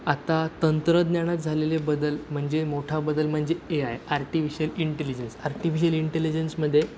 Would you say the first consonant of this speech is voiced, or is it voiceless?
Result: voiceless